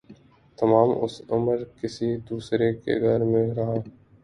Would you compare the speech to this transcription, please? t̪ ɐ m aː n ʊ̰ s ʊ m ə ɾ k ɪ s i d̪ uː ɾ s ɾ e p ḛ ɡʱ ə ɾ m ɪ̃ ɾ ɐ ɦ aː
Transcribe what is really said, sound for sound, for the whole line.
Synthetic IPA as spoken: t̪ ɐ m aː m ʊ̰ s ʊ m ə ɾ k ɪ s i d̪ uː s ɾ e k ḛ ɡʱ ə ɾ m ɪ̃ ɾ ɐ ɦ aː